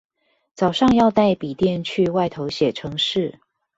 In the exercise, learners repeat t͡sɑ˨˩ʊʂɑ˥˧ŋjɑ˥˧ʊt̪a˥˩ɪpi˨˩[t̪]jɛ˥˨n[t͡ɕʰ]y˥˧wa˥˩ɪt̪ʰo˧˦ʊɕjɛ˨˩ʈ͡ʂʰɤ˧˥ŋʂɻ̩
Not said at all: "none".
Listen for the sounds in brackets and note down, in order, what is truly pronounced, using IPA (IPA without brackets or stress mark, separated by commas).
t̪, t͡ɕʰ